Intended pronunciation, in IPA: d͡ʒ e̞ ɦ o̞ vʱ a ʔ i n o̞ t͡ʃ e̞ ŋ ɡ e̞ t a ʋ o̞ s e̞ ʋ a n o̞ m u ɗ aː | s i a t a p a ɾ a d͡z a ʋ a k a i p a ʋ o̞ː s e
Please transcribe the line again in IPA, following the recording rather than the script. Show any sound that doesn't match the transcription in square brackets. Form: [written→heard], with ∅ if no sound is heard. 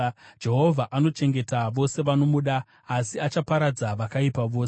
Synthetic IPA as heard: d͡ʒ e̞ ɦ o̞ vʱ a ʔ [i→a] n o̞ t͡ʃ e̞ ŋ ɡ e̞ t a ʋ o̞ s e̞ ʋ a n o̞ m u ɗ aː | s i a [t→t͡ʃ] a p a ɾ a d͡z a ʋ a k a i p a ʋ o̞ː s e

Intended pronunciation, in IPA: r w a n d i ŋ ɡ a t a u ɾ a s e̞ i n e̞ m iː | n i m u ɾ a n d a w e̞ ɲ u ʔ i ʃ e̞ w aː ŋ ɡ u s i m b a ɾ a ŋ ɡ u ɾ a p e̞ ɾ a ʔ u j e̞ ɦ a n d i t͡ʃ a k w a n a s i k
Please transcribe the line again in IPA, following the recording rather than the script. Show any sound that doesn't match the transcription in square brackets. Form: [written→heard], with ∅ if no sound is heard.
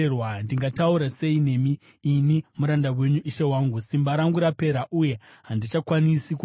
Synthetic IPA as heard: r w a n d i ŋ ɡ a t a u ɾ a s e̞ i n e̞ m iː | n i m u ɾ a n d a w e̞ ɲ u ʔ i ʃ e̞ w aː ŋ ɡ u s i m b a ɾ a ŋ ɡ u ɾ a p e̞ ɾ a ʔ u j e̞ ɦ a n d i t͡ʃ a k w a n [a→i] s i k

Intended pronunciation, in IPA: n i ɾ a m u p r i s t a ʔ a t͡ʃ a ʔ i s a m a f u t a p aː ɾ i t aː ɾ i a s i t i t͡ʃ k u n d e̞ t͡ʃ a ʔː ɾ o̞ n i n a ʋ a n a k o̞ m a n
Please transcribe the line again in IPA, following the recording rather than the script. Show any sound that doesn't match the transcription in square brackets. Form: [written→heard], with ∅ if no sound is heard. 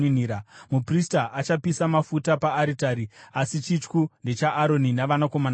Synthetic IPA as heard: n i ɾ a m u p r i s t a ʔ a t͡ʃ a [ʔ→p] i s a m a f u t a p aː ɾ i t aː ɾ i a s i [t→t͡ʃ] i t͡ʃ k u n d e̞ t͡ʃ a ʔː ɾ o̞ n i n a ʋ a n a k o̞ m a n

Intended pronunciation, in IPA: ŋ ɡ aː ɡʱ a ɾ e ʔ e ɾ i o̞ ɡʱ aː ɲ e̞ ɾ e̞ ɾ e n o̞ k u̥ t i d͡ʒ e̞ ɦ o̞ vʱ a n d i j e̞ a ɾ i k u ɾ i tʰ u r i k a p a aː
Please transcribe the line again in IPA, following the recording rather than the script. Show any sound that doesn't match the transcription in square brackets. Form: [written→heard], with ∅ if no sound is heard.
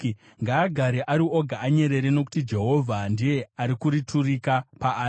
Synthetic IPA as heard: ŋ ɡ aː ɡʱ a ɾ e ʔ [e→a] ɾ i o̞ ɡʱ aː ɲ e̞ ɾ e̞ ɾ e n o̞ k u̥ t i d͡ʒ e̞ ɦ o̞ vʱ a n d i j e̞ a ɾ i k u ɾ i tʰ u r i k a p a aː

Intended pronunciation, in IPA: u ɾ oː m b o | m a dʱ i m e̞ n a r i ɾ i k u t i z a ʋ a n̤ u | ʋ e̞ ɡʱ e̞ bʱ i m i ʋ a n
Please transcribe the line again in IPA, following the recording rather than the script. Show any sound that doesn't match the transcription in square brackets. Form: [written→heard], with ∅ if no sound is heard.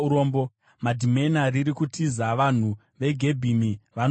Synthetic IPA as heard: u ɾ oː m b o | m a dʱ i m e̞ n a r i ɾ i k u t i z a ʋ a n̤ u | ʋ e̞ ɡʱ e̞ bʱ i m i ʋ a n

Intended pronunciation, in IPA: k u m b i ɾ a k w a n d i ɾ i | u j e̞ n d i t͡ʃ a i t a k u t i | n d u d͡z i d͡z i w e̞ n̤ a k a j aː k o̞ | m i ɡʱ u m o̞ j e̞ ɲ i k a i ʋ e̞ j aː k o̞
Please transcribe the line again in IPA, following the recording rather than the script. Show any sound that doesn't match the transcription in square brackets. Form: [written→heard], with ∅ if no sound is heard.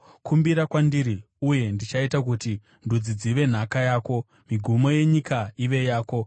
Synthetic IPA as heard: k u m b i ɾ a k w a n d i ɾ i | u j e̞ n d i t͡ʃ a i t a k u t i | n d u d͡z i d͡z i [w→ʋ] e̞ n̤ a k a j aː k o̞ | m i ɡʱ u m o̞ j e̞ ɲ i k a i ʋ e̞ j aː k o̞

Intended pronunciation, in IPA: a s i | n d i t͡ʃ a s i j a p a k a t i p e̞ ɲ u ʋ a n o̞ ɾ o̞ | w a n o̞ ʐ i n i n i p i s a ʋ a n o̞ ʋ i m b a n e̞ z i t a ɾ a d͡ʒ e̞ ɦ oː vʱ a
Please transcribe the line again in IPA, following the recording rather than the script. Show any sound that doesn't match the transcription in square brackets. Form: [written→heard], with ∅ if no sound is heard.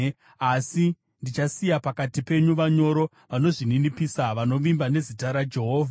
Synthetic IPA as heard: a s i | n d i t͡ʃ a s i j a p a k a t i p e̞ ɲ u ʋ a [n→ɲ] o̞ ɾ o̞ | [w→ʋ] a n o̞ ʐ i n i n i p i s a ʋ a n o̞ ʋ i m b a n e̞ z i t a ɾ a d͡ʒ e̞ ɦ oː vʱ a

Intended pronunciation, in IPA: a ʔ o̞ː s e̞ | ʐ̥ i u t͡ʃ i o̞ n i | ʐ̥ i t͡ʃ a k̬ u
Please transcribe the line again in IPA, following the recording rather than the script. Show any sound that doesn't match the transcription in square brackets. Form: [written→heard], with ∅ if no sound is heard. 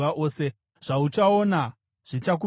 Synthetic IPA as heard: a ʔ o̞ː s e̞ | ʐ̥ [i→a] u t͡ʃ [i→a] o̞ n [i→a] | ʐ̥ i t͡ʃ a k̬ u

